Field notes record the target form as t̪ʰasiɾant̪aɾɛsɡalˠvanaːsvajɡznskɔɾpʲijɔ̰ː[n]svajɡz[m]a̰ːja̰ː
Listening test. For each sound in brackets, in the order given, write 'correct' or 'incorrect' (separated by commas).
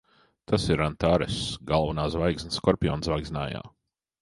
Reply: correct, incorrect